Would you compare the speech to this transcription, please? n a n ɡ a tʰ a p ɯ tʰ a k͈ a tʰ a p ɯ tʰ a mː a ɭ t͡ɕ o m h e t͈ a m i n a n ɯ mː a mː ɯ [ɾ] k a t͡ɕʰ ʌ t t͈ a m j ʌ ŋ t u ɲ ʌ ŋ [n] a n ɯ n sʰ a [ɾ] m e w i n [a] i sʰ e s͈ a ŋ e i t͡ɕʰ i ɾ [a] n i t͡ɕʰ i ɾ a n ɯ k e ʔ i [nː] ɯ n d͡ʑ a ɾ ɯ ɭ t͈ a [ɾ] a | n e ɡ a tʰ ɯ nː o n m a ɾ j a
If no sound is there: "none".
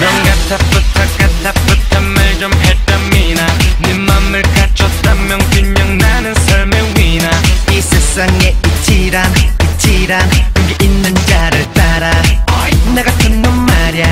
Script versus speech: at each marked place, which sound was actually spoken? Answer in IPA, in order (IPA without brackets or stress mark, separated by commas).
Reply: ɭ, n, ɭ, a, a, nː, ɾ